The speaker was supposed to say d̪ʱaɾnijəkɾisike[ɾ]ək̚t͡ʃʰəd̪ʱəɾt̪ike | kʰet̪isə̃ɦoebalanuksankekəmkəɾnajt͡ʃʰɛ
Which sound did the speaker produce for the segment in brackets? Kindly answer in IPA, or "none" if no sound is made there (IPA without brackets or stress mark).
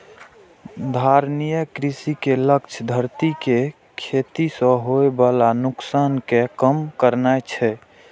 l